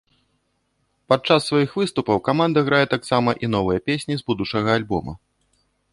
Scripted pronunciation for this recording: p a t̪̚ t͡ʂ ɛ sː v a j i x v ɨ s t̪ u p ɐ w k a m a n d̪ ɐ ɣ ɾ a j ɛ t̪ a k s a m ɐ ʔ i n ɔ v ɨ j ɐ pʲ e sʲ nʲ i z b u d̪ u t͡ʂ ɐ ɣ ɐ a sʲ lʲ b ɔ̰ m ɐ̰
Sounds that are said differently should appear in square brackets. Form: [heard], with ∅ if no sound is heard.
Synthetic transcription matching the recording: p a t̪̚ t͡ʂ [a] sː v a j i x v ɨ s t̪ u p ɐ w k a m a n d̪ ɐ ɣ ɾ a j ɛ t̪ a k s a m ɐ ʔ i n ɔ v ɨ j ɐ pʲ e sʲ nʲ i z b u d̪ u t͡ʂ ɐ ɣ ɐ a [∅] lʲ b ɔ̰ m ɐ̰